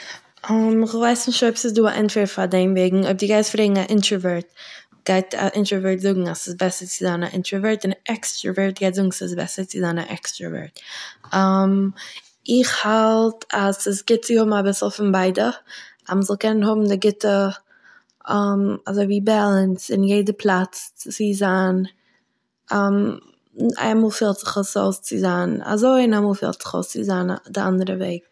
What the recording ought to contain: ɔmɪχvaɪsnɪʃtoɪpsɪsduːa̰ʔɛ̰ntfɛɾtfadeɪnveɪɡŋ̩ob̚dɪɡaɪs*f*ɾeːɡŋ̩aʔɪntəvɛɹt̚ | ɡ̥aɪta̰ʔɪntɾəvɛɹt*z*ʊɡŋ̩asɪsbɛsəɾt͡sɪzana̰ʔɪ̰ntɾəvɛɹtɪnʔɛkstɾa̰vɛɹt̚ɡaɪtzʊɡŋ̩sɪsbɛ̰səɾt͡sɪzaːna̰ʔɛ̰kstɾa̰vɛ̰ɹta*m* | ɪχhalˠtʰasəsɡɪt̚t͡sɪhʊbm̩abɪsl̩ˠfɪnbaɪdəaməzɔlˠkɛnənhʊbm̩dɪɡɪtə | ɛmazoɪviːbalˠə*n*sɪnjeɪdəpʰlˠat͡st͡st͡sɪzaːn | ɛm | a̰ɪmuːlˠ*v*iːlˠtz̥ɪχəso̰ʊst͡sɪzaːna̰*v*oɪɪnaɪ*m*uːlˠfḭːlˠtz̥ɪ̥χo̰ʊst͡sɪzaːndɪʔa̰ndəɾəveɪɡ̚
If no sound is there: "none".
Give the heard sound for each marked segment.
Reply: f, z, m, n, f, z, m

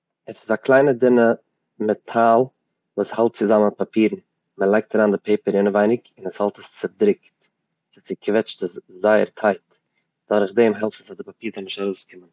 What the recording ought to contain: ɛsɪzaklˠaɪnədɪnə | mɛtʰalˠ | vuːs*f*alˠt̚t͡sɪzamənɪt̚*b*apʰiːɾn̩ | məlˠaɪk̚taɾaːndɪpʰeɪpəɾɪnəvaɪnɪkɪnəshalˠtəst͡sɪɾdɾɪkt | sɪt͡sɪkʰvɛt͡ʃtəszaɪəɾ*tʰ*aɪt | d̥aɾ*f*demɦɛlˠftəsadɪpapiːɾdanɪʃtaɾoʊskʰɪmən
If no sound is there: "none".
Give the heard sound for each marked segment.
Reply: h, p, tʰ, χ

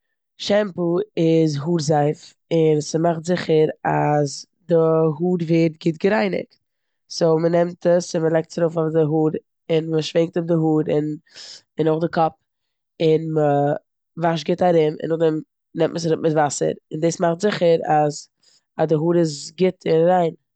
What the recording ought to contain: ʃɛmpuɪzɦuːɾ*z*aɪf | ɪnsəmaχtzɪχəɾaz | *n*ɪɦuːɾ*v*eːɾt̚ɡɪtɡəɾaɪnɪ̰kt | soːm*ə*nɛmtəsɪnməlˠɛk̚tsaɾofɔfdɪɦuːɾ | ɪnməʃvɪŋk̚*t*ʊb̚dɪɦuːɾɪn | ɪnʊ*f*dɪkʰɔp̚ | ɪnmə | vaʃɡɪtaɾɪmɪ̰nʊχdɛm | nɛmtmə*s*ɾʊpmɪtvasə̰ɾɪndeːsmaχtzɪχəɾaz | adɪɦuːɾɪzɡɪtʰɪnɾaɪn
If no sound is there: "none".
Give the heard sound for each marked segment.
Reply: z, d, v, ə, t, χ, s

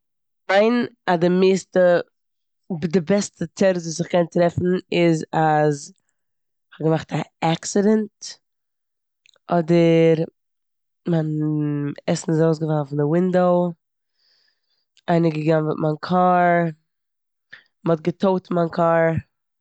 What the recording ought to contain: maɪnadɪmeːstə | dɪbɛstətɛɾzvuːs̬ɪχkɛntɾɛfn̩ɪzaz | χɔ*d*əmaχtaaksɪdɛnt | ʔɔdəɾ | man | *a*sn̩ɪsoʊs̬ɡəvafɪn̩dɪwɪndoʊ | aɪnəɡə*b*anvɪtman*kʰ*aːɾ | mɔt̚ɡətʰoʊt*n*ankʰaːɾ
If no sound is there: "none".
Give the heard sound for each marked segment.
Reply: ɡ, ɛ, ɡ, kʰ, m

